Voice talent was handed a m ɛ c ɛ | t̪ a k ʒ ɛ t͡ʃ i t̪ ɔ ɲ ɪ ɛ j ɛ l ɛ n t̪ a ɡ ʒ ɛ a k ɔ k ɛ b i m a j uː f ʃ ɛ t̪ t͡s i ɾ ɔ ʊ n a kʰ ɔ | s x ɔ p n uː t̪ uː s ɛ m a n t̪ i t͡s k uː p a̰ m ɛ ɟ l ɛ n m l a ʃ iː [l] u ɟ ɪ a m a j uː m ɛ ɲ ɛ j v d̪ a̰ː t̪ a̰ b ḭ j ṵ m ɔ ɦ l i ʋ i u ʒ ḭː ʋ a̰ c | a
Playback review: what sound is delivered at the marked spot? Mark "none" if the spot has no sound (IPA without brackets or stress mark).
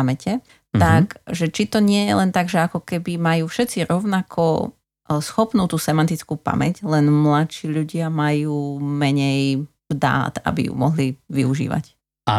ʎ